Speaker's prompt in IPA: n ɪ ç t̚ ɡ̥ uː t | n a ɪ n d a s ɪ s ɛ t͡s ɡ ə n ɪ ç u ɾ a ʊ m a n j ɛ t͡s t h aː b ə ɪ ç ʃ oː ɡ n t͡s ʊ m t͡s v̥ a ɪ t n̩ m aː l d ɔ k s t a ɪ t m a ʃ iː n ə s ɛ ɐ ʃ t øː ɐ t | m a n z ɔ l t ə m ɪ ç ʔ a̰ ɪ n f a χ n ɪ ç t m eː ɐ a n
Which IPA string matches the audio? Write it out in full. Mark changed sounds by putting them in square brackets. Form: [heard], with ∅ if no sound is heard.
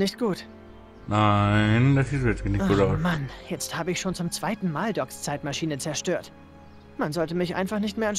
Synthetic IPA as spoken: n ɪ ç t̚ ɡ̥ uː t | n a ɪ n d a s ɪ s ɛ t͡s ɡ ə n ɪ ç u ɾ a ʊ m a n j ɛ t͡s t h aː b ə ɪ ç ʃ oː [∅] n t͡s ʊ m t͡s v̥ a ɪ t n̩ m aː l d ɔ k s [t͡s] a ɪ t m a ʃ iː n ə [t͡s] ɛ ɐ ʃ t øː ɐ t | m a n z ɔ l t ə m ɪ ç ʔ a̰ ɪ n f a χ n ɪ ç t m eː ɐ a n